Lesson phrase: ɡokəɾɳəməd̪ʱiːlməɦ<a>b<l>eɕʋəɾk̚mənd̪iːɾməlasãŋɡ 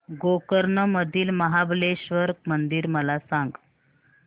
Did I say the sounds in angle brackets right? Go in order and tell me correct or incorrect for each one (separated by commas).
correct, correct